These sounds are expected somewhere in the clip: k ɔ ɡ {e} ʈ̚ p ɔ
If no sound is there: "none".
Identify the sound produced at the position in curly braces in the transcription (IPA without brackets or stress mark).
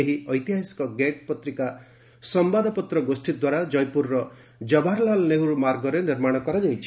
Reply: e